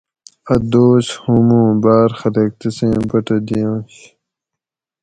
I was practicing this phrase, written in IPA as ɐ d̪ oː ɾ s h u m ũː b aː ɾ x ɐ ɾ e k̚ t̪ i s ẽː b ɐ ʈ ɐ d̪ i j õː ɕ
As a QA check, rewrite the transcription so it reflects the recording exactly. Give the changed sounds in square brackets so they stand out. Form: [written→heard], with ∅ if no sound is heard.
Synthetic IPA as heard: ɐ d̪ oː [ɾ→∅] s h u m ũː b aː ɾ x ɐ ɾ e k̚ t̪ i s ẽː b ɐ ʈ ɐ d̪ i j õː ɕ